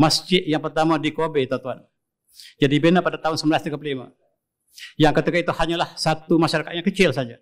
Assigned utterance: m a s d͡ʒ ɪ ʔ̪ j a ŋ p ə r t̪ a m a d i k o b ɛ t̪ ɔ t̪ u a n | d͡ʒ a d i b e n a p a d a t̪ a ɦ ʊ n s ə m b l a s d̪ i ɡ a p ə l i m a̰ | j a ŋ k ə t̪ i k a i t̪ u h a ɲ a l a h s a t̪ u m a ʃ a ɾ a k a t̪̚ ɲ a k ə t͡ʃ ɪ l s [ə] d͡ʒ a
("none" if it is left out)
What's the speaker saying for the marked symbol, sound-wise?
a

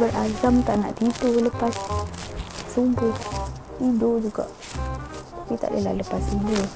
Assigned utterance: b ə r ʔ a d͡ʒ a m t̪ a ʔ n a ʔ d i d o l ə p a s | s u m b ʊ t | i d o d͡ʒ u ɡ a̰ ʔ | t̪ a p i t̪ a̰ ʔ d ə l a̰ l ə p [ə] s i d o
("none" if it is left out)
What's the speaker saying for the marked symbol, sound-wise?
a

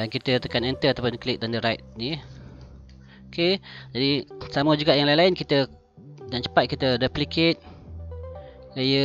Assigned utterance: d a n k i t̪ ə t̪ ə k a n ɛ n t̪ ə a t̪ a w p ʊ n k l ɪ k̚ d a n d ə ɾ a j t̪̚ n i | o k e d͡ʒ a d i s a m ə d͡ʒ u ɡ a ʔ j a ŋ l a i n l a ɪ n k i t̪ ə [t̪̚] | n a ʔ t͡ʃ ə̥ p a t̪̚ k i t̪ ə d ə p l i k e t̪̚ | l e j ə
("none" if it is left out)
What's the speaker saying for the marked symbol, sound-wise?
none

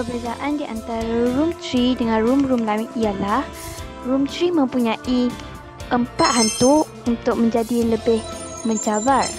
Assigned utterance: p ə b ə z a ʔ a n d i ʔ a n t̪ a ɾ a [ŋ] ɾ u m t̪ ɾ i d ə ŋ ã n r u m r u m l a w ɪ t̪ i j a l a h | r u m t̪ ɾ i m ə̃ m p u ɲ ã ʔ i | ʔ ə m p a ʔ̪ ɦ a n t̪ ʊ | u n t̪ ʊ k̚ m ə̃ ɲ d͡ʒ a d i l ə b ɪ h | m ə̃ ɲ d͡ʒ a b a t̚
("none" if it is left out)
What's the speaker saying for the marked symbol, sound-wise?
none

